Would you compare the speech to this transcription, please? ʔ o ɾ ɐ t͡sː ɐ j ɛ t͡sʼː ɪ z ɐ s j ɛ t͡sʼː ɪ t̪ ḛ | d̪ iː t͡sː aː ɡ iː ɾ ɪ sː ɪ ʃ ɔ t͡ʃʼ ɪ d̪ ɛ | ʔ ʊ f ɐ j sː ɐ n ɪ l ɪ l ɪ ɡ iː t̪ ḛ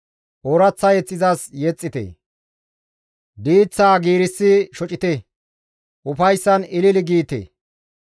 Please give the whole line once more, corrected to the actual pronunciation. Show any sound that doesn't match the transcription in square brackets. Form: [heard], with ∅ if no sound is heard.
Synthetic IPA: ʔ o ɾ ɐ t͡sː ɐ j ɛ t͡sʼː ɪ z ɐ s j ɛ t͡sʼː ɪ t̪ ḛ | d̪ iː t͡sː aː ɡ iː ɾ ɪ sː ɪ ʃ ɔ t͡ʃʼ ɪ [t̪] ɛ | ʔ ʊ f ɐ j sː ɐ n ɪ l ɪ l ɪ ɡ iː t̪ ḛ